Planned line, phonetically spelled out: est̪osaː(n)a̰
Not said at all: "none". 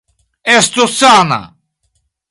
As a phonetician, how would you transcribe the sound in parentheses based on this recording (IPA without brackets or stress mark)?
n